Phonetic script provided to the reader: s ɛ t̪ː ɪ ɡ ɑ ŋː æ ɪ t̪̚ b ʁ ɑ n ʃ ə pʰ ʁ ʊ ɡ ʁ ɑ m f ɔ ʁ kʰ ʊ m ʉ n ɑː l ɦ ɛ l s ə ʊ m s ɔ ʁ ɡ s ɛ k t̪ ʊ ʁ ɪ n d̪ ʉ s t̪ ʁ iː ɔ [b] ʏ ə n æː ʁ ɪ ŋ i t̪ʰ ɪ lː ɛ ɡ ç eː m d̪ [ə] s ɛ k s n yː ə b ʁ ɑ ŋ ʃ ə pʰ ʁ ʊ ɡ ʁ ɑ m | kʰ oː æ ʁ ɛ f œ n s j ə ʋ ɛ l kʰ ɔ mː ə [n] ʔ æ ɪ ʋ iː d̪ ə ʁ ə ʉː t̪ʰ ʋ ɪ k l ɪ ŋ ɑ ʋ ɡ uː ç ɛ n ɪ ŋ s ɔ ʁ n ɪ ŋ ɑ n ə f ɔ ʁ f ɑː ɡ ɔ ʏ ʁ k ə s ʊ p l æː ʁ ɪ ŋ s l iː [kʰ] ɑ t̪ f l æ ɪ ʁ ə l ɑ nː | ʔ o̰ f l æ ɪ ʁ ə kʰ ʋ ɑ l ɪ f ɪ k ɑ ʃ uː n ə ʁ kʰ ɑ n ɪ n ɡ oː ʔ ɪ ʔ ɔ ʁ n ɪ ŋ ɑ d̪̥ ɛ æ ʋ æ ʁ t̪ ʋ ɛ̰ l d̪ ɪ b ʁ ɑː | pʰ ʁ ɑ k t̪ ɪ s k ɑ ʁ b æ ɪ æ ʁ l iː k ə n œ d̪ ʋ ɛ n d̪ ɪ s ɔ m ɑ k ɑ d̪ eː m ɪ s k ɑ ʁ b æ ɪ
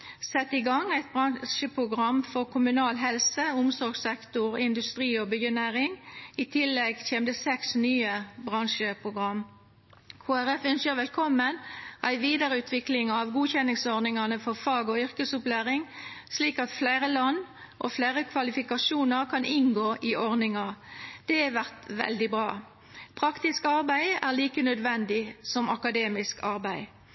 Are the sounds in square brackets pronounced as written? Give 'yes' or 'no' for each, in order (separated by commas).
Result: yes, yes, yes, no